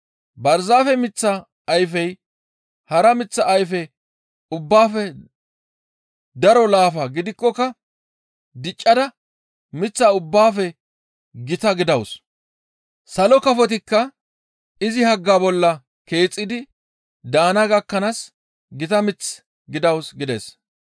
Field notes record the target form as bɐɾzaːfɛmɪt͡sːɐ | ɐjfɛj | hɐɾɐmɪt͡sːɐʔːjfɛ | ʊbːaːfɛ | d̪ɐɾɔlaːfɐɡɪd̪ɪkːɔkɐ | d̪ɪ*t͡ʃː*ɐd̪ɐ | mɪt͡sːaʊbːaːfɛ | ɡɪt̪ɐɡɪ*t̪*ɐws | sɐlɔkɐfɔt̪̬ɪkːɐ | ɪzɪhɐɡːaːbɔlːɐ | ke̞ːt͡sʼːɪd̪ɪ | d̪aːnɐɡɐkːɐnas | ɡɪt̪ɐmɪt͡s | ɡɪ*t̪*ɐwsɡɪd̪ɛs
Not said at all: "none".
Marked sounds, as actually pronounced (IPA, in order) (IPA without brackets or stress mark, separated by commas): t͡ʃʼː, d̪, d̪